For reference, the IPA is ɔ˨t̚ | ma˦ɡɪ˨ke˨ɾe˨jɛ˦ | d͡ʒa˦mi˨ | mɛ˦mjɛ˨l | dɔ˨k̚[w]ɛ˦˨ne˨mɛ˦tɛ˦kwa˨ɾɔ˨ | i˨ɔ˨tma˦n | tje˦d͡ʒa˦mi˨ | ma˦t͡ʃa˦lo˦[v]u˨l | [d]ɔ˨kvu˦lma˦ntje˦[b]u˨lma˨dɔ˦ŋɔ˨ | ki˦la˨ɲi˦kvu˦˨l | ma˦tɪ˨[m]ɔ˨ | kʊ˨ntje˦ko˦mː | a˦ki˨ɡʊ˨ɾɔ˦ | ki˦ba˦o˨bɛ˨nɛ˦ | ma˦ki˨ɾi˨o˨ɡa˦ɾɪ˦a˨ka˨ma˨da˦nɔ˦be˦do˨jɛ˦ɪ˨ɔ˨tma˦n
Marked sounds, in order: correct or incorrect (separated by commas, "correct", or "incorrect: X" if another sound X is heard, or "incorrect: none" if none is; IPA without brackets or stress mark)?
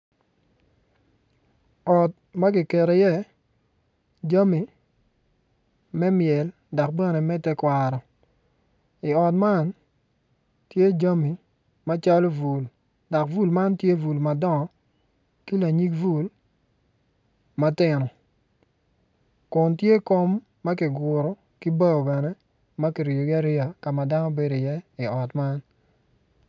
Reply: incorrect: b, correct, correct, incorrect: v, incorrect: n